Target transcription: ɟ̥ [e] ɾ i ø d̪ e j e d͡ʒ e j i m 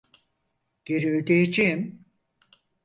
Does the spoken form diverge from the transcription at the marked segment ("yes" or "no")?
no